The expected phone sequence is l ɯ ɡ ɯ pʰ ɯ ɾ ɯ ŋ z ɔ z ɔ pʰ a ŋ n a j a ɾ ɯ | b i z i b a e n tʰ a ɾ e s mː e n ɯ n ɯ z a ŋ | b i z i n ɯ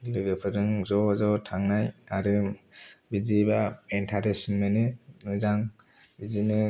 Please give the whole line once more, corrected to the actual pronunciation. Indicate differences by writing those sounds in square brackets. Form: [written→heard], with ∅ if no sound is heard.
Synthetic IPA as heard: l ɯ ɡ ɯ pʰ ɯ ɾ ɯ ŋ z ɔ z ɔ [pʰ→tʰ] a ŋ n a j a ɾ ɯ | b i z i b a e n tʰ a ɾ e s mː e n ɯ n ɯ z a ŋ | b i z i n ɯ